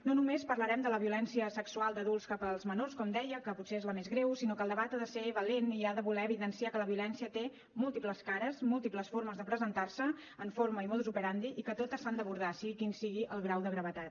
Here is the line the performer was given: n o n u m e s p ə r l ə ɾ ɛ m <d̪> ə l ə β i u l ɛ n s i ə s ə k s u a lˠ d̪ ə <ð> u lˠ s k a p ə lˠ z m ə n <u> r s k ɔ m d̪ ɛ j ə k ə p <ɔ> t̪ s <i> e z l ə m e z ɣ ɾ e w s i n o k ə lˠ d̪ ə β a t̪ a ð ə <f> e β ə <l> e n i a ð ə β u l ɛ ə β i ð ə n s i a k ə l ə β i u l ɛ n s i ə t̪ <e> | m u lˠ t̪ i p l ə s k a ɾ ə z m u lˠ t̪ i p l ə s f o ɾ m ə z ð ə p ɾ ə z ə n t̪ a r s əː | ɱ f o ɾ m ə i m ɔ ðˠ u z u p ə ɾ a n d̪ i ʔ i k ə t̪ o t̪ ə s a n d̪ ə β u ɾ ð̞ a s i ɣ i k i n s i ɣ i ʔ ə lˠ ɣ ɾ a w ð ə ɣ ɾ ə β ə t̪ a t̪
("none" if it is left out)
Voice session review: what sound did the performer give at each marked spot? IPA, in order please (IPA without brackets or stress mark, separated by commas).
d̪, ð, o, u, e, s, l, e